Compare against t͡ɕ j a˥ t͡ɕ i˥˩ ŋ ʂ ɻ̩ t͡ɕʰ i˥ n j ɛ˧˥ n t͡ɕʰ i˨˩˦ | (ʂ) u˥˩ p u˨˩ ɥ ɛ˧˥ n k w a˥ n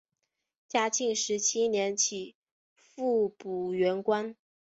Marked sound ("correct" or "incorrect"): incorrect